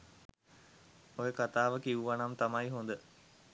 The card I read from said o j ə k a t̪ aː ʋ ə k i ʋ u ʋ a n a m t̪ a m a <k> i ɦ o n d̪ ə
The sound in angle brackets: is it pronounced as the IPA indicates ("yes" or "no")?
no